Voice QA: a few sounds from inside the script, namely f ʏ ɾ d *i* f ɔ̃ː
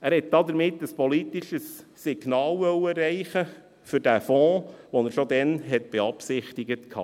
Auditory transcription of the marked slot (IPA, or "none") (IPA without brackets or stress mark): æ